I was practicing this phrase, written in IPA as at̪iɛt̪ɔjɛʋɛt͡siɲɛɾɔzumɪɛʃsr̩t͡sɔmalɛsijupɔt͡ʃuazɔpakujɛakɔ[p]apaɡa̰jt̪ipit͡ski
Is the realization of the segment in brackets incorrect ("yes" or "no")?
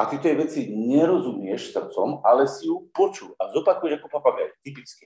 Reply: no